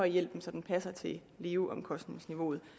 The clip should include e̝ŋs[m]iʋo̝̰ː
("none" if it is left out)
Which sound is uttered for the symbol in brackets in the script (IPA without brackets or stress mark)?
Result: n